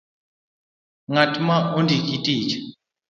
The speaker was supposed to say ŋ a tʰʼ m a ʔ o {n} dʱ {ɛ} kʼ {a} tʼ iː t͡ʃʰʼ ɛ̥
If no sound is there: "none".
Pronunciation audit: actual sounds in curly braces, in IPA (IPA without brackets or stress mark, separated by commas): n, i, i